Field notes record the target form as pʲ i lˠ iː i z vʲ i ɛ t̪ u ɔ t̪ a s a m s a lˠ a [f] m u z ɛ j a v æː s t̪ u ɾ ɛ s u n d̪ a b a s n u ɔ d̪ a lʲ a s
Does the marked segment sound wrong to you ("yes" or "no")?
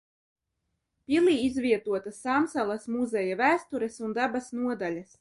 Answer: yes